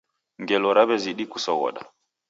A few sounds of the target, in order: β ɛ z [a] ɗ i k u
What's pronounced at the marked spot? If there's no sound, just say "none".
i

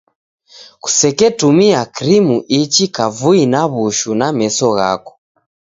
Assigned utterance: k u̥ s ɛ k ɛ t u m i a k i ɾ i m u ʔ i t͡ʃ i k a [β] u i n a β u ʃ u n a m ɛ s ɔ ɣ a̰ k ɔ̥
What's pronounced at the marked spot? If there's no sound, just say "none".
v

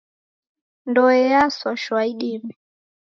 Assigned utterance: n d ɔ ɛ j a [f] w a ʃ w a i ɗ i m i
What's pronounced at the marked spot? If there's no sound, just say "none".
s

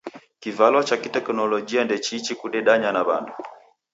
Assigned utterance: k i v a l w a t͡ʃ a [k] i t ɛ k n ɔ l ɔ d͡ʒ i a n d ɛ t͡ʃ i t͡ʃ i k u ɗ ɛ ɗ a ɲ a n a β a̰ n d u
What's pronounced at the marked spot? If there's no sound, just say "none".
k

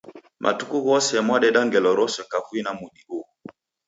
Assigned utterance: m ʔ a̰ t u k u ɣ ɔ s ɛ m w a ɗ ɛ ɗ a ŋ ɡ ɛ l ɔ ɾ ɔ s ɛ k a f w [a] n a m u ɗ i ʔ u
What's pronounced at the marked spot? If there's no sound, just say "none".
i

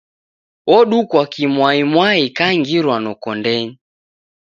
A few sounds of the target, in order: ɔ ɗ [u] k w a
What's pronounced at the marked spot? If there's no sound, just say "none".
u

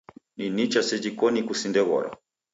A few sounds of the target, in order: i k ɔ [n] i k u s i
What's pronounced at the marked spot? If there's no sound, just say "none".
n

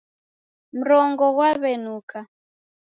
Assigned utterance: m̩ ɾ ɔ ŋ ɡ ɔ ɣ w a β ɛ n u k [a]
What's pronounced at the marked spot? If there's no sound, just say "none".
a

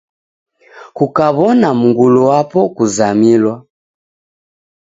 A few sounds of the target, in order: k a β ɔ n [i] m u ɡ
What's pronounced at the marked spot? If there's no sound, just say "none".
a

